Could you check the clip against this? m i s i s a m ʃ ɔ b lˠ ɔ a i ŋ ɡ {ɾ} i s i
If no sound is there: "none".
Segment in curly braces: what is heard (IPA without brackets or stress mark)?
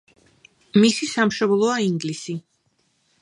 l